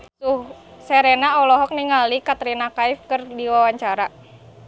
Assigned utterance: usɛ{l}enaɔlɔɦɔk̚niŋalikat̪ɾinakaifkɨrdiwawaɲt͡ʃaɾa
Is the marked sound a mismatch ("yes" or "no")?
yes